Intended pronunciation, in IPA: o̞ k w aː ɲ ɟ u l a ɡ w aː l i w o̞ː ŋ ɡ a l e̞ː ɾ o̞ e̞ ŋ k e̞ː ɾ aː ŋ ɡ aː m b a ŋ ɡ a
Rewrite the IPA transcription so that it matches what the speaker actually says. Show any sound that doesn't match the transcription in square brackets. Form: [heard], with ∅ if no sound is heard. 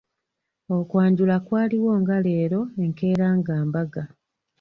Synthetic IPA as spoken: o̞ k w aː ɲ ɟ u l a [k] w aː l i w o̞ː ŋ ɡ a l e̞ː ɾ o̞ e̞ ŋ k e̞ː ɾ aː ŋ ɡ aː m b a [∅] ɡ a